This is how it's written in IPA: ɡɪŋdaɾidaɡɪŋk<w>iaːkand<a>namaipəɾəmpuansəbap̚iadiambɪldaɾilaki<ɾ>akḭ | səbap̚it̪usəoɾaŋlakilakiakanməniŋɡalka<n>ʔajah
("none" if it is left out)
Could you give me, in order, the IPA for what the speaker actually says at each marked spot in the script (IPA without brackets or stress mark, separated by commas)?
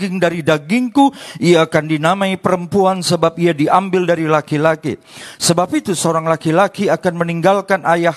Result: u, i, l, n